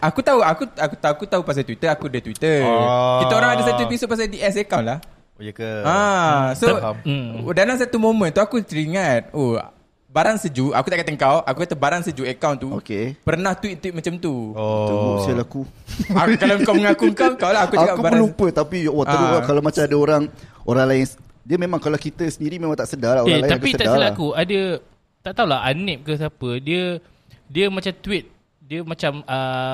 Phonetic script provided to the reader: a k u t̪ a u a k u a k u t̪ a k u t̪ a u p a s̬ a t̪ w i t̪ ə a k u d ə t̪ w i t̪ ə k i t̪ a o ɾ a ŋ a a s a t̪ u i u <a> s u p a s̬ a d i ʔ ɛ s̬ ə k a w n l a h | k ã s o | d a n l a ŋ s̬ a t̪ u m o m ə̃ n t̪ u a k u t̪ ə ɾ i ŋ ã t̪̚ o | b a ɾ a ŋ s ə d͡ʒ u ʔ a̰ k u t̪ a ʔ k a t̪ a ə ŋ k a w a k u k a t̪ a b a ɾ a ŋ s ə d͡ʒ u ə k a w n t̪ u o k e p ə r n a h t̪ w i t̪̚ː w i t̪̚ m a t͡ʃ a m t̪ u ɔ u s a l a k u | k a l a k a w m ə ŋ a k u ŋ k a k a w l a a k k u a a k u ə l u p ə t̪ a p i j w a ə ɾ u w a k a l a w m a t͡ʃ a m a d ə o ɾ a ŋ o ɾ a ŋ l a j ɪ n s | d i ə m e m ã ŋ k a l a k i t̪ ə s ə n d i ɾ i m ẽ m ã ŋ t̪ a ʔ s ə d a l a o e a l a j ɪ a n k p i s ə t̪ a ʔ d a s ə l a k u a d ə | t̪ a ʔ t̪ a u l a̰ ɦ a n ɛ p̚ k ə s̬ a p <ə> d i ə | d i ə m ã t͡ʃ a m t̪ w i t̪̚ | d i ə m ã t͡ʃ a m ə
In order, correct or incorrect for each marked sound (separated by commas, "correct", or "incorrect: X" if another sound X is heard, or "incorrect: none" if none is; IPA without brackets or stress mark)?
incorrect: i, correct